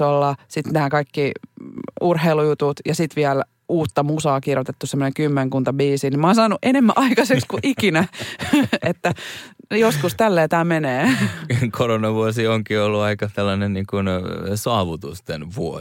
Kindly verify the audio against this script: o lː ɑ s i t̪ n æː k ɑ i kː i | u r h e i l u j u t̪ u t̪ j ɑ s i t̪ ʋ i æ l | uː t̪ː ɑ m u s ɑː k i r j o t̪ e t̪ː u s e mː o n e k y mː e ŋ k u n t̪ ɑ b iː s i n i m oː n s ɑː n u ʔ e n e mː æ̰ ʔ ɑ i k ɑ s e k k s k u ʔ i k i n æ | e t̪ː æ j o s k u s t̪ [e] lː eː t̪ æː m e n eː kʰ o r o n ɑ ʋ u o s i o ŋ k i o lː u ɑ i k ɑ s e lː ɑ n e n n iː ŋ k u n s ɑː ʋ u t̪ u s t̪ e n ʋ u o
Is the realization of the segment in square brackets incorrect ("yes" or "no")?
yes